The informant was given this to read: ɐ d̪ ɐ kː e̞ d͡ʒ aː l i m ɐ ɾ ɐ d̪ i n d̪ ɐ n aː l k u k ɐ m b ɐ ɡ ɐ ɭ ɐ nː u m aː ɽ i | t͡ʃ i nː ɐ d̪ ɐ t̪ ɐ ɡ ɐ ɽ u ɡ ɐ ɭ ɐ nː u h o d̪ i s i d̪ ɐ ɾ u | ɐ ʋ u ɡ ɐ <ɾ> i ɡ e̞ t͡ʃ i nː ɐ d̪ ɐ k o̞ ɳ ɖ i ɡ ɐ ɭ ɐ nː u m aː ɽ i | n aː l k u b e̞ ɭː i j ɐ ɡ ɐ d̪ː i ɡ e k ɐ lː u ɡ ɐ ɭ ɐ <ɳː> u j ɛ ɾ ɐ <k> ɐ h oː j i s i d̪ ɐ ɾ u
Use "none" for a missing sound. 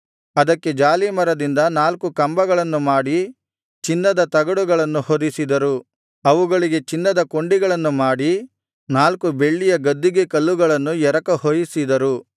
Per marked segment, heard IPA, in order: ɭ, nː, k

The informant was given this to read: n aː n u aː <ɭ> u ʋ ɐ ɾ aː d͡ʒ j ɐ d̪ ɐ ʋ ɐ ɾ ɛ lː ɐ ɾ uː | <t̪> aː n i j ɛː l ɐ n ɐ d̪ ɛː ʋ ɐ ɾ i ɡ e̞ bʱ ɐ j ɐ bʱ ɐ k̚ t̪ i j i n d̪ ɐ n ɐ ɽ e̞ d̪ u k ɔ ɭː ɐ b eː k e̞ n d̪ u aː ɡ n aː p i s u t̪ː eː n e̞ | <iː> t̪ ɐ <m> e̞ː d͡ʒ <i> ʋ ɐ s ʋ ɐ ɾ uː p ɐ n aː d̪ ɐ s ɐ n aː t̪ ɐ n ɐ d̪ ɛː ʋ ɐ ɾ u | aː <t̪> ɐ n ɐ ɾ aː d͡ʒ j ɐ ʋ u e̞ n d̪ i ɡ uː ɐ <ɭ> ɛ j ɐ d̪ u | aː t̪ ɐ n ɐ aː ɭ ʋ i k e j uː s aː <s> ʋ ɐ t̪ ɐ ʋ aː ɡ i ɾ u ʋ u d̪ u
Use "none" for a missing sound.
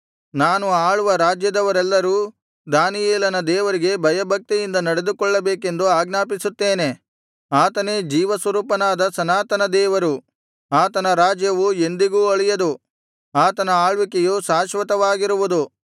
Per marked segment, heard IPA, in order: ɭ, d̪, aː, n, iː, t̪, ɭ, ʃ

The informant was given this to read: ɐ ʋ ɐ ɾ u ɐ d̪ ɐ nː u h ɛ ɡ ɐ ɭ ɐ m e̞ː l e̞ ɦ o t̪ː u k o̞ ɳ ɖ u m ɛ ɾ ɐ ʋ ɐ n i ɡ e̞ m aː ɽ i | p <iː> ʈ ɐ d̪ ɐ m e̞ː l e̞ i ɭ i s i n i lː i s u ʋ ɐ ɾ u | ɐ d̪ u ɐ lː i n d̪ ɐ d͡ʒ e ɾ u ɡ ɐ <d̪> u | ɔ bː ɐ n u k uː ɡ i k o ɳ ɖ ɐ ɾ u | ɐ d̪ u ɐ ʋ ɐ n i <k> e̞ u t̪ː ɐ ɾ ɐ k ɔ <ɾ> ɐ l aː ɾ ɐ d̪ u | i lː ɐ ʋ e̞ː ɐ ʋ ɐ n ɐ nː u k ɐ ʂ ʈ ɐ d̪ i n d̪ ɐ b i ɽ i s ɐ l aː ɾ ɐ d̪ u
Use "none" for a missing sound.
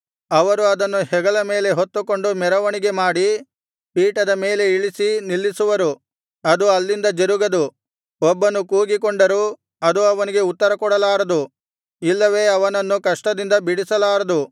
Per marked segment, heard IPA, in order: iː, d̪, ɡ, ɽ

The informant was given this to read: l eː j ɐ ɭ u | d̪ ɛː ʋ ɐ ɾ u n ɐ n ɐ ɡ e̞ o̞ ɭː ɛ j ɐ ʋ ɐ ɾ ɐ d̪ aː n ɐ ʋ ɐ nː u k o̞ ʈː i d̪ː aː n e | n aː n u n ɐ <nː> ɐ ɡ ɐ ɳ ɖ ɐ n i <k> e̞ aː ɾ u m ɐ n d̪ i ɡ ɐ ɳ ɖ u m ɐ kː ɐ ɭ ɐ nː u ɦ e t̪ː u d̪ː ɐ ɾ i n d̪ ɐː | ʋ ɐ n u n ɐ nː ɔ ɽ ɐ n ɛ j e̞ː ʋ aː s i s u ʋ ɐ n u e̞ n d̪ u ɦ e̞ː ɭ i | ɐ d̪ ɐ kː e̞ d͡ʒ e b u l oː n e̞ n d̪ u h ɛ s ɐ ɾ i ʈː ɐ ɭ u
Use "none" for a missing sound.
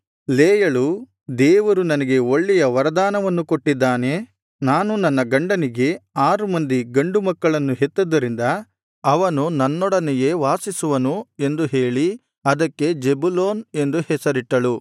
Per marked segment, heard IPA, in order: nː, ɡ

